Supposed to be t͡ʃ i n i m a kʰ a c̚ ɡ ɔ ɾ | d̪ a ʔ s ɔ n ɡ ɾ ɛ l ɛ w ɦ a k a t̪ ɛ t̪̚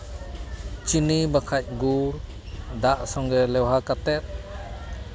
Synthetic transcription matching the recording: t͡ʃ i n i b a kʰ a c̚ ɡ u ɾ | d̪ a ʔ s ɔ ŋ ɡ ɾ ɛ l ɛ w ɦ a k a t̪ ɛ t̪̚